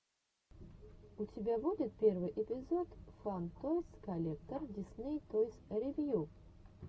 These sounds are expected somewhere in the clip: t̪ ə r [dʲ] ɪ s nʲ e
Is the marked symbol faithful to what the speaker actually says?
yes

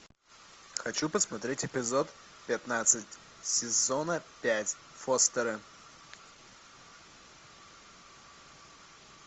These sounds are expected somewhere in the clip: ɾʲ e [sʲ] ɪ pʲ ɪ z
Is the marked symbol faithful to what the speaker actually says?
no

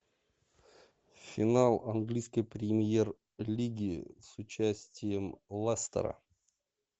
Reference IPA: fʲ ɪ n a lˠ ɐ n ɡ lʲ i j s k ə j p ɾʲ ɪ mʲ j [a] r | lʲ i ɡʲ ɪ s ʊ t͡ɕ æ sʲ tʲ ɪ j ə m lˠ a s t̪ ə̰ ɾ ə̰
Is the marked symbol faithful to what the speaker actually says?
no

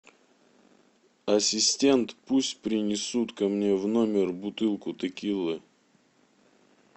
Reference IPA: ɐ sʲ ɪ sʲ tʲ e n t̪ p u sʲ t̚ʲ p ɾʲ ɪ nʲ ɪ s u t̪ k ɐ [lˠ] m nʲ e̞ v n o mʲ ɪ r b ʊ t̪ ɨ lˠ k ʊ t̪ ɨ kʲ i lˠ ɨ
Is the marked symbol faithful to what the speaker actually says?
no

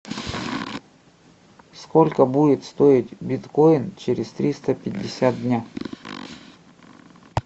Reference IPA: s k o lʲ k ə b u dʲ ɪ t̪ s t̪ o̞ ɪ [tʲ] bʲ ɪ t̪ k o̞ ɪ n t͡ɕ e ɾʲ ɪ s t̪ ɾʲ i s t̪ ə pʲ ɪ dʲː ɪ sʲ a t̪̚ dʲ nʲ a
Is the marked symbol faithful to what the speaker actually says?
yes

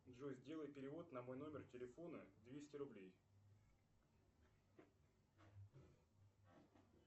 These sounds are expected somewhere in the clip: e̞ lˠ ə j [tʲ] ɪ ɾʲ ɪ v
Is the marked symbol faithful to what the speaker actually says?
no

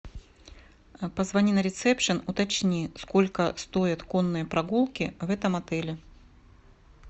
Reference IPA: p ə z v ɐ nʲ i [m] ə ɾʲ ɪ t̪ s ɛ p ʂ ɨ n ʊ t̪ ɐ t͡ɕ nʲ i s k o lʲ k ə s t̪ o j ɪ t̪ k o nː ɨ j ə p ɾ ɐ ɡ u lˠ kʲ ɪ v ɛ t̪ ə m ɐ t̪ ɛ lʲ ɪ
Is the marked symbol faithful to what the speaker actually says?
no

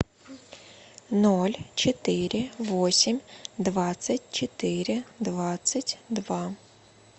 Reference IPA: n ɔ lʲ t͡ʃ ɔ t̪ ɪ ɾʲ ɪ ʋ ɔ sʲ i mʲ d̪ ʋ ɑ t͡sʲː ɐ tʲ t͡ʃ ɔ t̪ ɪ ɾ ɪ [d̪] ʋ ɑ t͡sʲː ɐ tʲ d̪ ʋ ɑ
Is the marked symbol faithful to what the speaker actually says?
yes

